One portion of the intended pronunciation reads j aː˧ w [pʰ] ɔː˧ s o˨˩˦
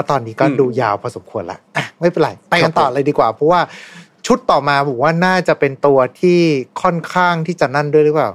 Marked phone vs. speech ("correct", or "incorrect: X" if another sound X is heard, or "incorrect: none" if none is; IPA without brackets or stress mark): correct